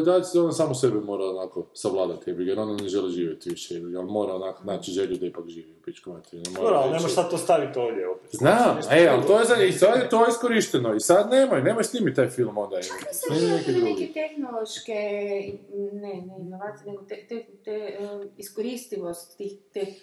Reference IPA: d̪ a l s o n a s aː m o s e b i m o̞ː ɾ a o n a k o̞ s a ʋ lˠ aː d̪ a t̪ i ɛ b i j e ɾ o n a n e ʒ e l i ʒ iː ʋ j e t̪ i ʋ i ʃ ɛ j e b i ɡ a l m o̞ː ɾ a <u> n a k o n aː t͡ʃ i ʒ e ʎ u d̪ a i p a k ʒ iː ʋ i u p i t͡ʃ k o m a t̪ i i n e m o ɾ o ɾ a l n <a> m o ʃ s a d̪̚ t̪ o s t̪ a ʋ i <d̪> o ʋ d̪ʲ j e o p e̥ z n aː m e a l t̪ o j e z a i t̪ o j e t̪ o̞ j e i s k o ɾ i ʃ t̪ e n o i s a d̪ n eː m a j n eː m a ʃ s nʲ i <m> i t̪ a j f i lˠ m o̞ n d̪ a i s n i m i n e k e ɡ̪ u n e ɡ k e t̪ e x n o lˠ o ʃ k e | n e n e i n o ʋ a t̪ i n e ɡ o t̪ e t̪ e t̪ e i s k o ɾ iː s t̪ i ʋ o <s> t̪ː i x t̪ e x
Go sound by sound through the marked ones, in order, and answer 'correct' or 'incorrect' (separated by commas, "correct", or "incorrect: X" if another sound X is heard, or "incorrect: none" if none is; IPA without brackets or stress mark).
incorrect: o, incorrect: e, incorrect: t̪, correct, correct